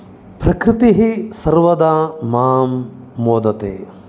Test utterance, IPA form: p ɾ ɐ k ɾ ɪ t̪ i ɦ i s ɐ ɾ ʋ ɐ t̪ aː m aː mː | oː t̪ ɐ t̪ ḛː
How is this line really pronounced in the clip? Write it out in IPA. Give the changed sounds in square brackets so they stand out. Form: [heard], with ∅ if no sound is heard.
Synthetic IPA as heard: p ɾ ɐ k ɾ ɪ t̪ i ɦ i s ɐ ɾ ʋ ɐ [d̪] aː m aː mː | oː [d̪] ɐ t̪ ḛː